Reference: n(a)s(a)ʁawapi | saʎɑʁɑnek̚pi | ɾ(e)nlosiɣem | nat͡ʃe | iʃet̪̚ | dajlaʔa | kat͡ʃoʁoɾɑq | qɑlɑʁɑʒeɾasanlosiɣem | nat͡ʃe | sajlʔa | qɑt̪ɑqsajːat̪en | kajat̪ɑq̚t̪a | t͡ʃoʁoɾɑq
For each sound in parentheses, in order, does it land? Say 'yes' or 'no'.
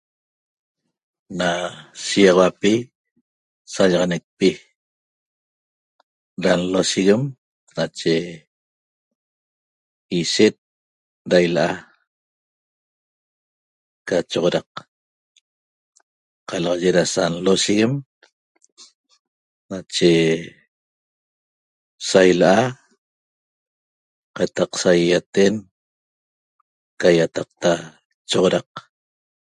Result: yes, no, no

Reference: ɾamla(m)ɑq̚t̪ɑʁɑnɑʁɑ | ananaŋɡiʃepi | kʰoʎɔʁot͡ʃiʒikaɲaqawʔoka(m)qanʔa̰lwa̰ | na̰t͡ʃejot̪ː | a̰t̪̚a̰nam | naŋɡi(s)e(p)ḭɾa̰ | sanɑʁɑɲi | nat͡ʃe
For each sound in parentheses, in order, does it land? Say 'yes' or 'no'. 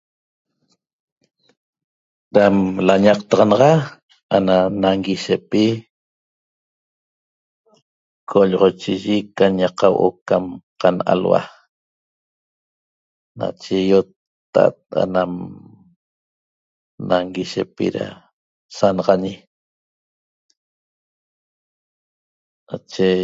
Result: no, yes, no, yes

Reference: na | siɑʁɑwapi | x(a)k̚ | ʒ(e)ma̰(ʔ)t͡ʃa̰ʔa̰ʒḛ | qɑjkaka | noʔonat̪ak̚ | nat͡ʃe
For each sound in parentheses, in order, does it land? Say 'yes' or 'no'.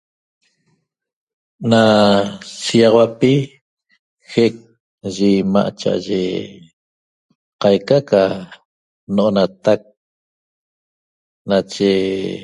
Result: no, no, yes

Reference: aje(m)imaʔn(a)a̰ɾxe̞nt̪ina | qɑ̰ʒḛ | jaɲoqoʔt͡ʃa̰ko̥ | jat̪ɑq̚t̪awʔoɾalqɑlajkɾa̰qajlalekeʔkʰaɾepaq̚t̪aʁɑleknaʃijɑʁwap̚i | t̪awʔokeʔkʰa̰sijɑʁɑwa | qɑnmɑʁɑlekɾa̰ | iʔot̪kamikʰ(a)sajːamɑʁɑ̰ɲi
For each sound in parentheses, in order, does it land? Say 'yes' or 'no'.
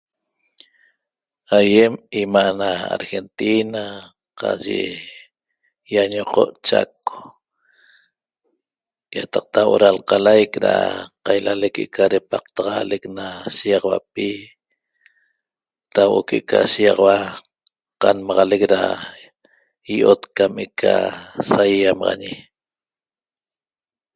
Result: yes, yes, yes

